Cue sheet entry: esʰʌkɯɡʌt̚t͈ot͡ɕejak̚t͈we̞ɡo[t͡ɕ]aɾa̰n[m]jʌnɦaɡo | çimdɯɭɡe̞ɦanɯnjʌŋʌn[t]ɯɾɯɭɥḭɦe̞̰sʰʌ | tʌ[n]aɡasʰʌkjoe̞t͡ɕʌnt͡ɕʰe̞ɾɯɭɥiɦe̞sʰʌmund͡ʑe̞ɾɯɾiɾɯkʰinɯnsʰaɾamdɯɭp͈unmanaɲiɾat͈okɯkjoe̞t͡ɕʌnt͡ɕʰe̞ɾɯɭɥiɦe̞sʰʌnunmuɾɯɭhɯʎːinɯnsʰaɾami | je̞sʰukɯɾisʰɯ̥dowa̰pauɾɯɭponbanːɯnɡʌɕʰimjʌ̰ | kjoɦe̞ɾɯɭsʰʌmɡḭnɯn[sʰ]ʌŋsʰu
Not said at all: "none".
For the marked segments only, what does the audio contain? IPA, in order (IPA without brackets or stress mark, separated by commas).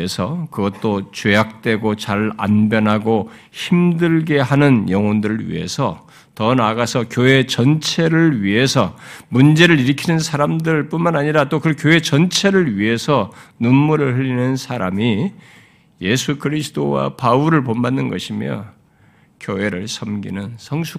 t͡ɕ, b, d, n, sʰ